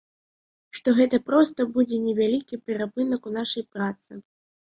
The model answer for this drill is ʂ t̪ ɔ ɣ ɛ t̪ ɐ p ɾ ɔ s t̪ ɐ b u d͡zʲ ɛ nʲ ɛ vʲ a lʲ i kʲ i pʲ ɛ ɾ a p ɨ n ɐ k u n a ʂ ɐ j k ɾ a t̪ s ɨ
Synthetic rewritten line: ʂ t̪ ɔ ɣ ɛ t̪ ɐ p ɾ ɔ s t̪ ɐ b u d͡zʲ ɛ nʲ ɛ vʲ a lʲ i kʲ i pʲ ɛ ɾ a p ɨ n ɐ k u n a ʂ ɐ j p ɾ a t̪ s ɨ